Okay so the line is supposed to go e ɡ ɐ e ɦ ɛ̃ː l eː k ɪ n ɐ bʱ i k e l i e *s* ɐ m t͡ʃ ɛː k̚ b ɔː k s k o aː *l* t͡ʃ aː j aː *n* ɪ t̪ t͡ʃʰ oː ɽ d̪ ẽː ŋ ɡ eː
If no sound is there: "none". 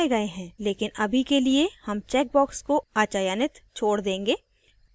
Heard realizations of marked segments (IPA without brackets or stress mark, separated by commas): h, none, n